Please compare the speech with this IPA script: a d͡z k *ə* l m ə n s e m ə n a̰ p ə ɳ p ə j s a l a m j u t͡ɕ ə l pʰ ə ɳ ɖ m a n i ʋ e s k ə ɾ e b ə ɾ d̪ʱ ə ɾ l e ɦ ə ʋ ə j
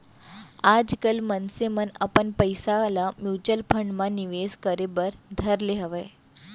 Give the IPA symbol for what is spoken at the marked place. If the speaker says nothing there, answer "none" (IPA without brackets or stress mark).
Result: ə